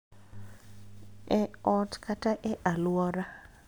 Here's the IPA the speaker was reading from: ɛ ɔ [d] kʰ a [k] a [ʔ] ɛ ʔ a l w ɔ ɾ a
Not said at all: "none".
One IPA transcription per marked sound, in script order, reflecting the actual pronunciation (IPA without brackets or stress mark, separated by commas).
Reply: t, t, ʔ